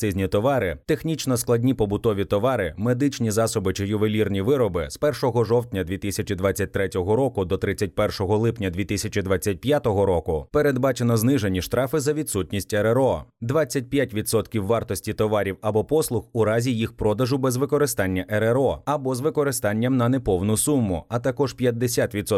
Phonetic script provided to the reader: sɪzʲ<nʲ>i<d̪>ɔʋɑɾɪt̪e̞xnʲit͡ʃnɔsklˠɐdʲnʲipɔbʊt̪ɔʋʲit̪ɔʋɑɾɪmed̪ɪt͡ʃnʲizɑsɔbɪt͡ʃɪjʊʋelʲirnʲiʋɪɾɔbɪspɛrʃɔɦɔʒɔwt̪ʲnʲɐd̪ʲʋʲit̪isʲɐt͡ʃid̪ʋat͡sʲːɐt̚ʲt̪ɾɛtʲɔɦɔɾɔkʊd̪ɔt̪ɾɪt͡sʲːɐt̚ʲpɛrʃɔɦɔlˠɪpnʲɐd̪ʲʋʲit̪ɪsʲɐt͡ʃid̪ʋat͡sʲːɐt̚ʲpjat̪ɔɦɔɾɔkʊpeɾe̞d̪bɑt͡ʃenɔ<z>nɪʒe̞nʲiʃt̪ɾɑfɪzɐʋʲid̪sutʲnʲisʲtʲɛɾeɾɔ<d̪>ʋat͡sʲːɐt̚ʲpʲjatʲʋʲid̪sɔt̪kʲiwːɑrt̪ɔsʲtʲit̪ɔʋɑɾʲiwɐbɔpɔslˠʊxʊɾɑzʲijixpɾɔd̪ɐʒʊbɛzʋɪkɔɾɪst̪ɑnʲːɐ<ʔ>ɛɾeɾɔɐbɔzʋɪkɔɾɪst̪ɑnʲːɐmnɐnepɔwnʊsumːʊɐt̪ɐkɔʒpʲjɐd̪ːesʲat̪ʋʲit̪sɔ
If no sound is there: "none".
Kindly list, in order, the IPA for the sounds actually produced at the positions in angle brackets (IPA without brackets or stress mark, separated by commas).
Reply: nʲ, t̪, z, d̪, ʔ